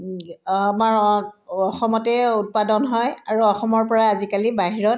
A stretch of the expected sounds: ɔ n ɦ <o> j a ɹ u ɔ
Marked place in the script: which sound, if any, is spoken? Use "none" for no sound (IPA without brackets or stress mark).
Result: ɔ